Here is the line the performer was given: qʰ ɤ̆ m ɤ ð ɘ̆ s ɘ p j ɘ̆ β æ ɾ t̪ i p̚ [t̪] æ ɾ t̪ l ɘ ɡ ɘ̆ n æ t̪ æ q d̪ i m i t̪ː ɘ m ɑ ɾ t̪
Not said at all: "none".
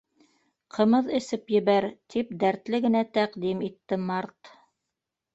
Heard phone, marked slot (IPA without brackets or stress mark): d̪